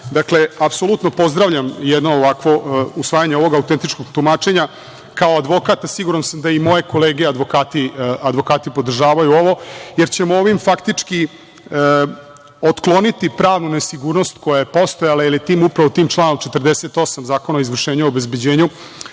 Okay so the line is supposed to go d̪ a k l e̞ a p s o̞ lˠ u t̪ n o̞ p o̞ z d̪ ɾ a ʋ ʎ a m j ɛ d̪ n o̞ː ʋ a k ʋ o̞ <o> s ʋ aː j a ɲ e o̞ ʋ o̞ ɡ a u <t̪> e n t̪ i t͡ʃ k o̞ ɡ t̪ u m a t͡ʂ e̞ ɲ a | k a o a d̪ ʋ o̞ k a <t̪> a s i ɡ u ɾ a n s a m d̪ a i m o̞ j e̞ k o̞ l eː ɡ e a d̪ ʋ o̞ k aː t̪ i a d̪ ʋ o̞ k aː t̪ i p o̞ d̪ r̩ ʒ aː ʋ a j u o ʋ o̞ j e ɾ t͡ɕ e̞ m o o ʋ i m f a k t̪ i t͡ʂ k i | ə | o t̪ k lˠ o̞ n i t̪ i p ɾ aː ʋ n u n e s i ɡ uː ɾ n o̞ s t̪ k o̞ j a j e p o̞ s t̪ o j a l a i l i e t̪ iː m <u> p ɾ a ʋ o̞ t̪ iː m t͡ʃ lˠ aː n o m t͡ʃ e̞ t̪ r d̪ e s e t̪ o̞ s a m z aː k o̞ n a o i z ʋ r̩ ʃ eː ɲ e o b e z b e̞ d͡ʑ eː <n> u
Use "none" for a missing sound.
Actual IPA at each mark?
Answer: u, t̪, t̪, u, ɲ

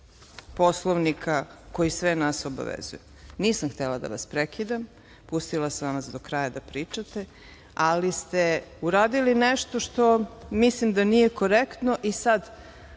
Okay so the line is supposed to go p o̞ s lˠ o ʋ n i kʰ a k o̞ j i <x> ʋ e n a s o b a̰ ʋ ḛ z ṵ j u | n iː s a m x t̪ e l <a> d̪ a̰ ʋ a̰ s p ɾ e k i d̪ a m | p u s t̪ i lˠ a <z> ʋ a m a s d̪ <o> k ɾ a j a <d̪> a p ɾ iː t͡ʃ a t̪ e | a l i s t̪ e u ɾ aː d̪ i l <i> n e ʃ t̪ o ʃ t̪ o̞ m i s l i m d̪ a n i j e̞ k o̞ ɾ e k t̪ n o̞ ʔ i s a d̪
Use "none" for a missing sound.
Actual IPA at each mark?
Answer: s, a, s, o, d̪, i

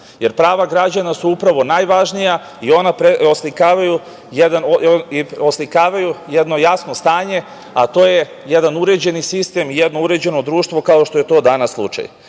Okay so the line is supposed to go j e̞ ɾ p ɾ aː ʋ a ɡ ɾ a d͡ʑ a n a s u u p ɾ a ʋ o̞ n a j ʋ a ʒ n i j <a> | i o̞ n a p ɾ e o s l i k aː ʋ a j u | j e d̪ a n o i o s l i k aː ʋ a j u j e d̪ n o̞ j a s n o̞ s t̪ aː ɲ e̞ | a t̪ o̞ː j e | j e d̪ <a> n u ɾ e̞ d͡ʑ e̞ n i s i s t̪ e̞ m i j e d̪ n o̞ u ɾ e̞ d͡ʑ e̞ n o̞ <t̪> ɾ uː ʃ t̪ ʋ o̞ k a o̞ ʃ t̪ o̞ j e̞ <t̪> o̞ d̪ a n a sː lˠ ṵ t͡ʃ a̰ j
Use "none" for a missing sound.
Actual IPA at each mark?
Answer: a, a, d̪, t̪

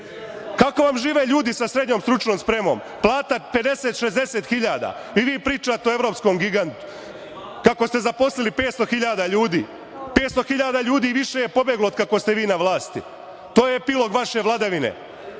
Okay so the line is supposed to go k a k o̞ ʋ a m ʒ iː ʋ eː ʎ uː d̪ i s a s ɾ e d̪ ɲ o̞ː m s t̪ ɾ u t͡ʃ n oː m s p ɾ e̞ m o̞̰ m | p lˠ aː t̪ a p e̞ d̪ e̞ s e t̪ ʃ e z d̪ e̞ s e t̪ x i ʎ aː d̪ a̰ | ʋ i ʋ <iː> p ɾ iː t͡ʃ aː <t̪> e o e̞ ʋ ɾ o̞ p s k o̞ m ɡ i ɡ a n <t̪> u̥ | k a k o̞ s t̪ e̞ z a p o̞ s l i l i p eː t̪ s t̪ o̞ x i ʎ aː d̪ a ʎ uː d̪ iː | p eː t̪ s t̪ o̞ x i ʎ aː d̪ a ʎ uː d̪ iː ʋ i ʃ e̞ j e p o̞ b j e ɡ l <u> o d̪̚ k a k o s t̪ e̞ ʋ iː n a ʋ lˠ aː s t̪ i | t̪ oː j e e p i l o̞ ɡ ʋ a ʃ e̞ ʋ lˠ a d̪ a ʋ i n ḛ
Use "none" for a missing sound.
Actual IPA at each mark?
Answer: iː, t̪, t̪, o

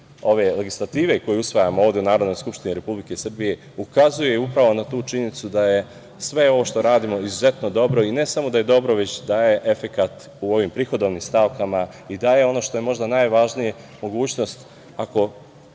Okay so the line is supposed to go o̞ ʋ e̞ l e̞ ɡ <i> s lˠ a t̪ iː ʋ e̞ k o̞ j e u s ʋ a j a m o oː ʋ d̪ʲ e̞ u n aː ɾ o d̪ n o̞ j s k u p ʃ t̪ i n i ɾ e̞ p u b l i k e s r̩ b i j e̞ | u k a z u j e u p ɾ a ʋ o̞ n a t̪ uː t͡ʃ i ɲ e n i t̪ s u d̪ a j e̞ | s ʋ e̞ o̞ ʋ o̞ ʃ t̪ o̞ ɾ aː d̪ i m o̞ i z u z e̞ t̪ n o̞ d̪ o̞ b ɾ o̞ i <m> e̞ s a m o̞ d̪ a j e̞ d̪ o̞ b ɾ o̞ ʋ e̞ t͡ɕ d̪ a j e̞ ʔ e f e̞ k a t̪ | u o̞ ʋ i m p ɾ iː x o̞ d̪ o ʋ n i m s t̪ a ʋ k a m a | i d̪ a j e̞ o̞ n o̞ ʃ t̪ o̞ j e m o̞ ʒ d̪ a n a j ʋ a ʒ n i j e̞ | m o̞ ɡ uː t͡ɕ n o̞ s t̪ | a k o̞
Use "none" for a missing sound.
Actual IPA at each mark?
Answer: i, n

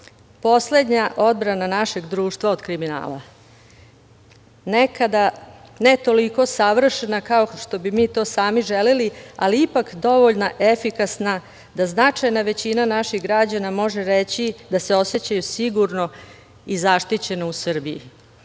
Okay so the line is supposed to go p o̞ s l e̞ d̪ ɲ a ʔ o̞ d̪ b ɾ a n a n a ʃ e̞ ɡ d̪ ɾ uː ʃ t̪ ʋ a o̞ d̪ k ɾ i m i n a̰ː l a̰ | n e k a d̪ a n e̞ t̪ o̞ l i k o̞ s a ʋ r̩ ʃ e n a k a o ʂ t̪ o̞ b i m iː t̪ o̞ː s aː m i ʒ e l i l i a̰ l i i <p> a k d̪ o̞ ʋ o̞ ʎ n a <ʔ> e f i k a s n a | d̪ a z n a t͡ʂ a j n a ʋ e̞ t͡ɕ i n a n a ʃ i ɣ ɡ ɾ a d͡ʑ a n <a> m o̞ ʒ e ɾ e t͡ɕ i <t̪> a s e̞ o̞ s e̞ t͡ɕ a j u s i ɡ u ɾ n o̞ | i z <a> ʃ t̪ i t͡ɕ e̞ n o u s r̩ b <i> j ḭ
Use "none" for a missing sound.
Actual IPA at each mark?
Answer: p, ʔ, a, d̪, a, i

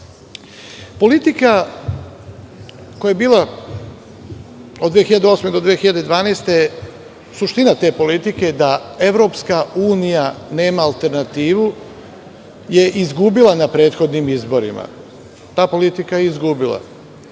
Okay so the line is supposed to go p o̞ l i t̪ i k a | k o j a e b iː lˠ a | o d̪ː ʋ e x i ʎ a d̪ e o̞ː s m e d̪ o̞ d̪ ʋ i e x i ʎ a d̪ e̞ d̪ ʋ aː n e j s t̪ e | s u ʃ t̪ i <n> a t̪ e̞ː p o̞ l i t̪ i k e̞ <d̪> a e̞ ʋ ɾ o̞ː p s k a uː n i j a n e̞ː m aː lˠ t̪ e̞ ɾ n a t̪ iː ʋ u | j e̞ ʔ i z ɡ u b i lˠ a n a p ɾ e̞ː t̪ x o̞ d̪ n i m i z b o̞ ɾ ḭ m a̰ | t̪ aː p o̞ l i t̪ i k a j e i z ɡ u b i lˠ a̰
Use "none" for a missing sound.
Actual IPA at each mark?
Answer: n, d̪

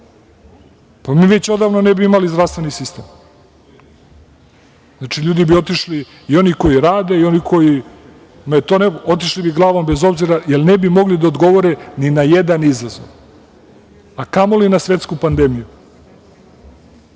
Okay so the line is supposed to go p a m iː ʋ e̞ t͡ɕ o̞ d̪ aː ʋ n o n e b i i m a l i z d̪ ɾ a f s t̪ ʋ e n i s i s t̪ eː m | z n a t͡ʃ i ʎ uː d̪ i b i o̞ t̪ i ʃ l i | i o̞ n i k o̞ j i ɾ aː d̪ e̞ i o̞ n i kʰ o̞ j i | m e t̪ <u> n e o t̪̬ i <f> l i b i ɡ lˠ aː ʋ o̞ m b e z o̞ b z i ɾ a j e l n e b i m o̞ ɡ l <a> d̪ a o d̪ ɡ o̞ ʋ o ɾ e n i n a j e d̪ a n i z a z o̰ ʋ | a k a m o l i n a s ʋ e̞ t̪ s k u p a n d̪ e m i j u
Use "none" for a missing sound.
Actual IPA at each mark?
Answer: o, ʃ, i

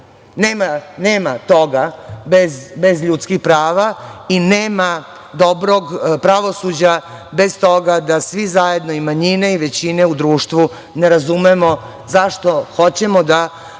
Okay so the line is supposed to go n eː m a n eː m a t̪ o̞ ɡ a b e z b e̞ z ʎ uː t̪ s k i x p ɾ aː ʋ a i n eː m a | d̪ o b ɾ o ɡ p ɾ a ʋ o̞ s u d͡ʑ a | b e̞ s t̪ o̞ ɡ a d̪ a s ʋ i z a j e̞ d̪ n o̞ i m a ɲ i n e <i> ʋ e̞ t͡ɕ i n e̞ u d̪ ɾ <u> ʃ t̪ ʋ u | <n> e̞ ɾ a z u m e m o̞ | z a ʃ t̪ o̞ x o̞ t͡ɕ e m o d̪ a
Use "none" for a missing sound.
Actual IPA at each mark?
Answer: i, uː, n

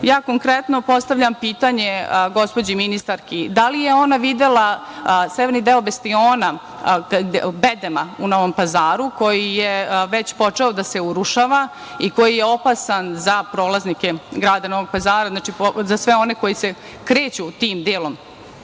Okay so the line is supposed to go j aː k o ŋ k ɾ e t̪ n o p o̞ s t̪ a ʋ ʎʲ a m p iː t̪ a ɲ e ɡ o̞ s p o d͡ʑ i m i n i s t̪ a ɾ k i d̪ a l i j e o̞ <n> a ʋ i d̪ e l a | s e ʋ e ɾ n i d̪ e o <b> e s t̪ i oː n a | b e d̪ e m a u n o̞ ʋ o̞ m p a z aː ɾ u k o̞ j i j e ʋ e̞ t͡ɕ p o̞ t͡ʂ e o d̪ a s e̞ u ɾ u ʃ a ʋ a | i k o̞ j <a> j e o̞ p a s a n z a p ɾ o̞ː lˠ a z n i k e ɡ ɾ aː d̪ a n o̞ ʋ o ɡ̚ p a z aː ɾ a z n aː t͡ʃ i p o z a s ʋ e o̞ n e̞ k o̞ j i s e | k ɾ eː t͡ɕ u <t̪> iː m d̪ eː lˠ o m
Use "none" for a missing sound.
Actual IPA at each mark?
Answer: n, b, i, t̪

